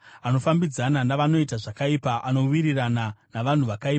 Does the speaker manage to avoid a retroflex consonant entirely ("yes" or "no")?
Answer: no